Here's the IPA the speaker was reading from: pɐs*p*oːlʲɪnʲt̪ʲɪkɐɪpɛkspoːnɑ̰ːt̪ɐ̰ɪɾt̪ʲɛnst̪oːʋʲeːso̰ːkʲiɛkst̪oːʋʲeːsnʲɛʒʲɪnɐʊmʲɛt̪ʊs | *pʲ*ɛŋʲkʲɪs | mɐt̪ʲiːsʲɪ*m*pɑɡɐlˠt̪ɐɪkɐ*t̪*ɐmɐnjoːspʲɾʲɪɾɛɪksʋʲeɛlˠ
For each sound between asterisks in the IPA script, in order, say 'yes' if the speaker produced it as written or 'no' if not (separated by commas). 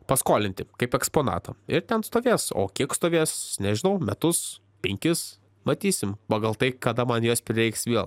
no, yes, yes, no